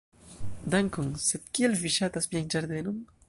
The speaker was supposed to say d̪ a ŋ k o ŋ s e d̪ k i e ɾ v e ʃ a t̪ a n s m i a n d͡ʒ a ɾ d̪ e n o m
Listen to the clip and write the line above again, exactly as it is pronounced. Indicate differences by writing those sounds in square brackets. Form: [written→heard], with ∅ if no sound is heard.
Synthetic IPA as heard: d̪ a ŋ k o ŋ s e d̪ k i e [ɾ→l] v [e→i] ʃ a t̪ a [n→∅] s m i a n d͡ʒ a ɾ d̪ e n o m